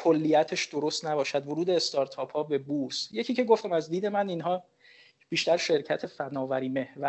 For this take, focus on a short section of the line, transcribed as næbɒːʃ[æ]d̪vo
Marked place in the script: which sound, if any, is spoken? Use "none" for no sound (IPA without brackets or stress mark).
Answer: æ